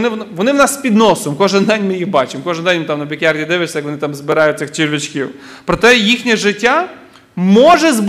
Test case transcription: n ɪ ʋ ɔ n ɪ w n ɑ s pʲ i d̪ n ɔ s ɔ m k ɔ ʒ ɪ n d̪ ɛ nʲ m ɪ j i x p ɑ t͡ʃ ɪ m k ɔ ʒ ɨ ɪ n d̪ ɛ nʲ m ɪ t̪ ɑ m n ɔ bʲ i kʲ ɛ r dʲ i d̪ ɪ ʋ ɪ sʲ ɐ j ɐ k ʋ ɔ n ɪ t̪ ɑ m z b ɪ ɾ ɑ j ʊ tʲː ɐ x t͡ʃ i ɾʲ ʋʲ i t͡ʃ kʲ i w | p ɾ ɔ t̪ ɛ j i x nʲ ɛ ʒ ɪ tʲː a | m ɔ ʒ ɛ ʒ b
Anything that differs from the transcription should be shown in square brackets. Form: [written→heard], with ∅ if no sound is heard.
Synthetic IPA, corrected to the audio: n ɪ ʋ ɔ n ɪ w n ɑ s pʲ i d̪ n ɔ s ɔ m k ɔ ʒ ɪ n d̪ ɛ nʲ m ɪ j i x [p→b] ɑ t͡ʃ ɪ m k ɔ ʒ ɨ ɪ n d̪ ɛ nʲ m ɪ t̪ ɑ m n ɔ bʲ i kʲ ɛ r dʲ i d̪ ɪ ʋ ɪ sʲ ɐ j ɐ k ʋ ɔ n ɪ t̪ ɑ m z b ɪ ɾ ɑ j ʊ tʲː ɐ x t͡ʃ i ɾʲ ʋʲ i t͡ʃ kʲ i w | p ɾ ɔ t̪ ɛ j i x nʲ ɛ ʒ ɪ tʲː a | m ɔ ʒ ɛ [ʒ→z] b